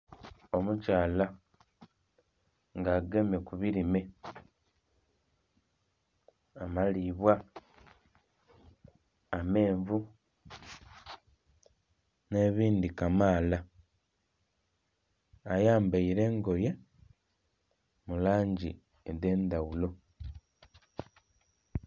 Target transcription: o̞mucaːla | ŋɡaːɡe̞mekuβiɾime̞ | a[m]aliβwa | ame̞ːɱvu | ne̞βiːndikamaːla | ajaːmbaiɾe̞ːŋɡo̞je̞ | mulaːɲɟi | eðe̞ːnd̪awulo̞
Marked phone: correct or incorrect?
correct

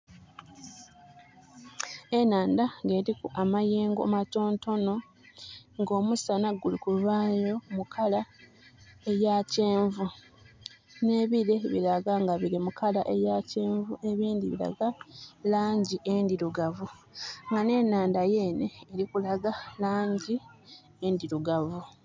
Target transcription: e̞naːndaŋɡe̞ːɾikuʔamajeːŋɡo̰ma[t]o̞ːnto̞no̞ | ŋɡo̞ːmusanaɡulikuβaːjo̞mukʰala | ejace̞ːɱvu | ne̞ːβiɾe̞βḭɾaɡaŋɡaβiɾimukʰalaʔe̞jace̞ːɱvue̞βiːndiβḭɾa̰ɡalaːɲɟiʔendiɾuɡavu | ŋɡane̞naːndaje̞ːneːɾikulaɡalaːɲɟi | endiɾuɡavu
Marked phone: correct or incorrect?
correct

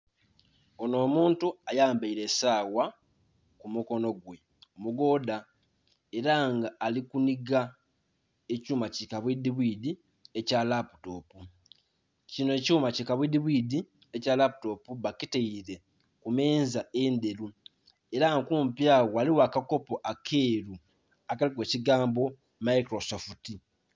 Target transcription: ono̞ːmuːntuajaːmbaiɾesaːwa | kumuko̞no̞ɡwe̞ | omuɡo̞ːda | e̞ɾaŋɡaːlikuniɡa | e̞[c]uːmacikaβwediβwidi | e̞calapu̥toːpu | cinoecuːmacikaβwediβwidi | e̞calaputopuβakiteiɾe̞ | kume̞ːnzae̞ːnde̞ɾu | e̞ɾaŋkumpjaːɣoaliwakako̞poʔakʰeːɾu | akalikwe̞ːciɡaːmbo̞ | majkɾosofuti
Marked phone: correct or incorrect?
correct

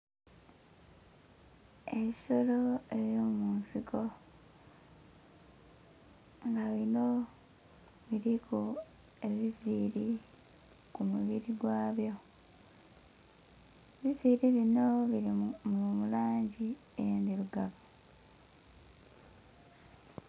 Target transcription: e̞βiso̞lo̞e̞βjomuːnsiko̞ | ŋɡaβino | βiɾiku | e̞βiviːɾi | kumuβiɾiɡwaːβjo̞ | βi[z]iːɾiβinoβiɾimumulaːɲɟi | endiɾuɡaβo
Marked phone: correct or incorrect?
incorrect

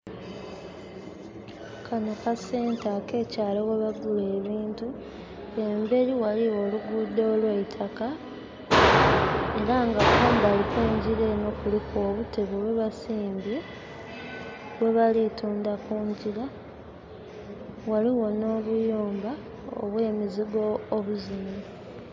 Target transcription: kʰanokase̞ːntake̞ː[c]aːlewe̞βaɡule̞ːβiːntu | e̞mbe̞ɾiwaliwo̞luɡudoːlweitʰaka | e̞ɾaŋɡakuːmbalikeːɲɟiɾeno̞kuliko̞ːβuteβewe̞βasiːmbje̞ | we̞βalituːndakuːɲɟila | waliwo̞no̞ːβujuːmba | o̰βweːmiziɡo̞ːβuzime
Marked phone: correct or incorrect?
correct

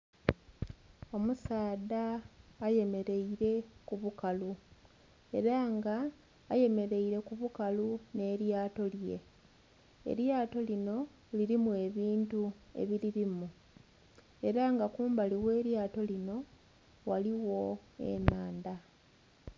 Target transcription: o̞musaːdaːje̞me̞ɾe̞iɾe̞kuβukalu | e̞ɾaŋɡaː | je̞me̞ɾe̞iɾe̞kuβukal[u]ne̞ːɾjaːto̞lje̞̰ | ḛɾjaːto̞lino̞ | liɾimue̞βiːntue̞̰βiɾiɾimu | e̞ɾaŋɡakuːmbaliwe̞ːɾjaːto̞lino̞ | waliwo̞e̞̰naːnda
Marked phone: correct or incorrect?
correct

